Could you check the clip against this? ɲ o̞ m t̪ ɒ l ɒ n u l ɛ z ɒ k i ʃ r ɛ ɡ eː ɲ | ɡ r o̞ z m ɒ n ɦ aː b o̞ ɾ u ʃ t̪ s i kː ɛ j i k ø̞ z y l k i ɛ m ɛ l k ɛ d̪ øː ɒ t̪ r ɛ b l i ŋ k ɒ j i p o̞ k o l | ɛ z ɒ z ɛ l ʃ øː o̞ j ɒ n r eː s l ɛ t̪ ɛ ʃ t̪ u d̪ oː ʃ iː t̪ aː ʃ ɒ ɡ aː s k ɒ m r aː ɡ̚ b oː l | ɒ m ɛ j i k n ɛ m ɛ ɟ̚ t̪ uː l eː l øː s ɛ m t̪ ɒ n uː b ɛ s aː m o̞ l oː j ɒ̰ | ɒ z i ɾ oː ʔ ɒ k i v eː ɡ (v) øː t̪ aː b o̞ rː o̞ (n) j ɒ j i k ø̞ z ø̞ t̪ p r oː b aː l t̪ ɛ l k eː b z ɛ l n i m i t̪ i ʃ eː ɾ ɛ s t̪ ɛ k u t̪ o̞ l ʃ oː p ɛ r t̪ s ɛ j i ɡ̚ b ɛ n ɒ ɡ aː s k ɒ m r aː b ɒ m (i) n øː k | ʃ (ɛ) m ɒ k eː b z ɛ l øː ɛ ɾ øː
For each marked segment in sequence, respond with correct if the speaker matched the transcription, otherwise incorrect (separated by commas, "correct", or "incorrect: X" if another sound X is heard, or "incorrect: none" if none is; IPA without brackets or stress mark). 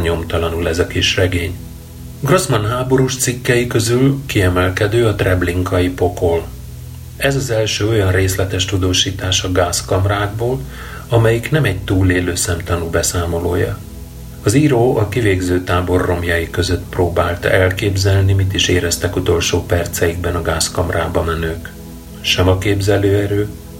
incorrect: z, incorrect: m, incorrect: ɛ, correct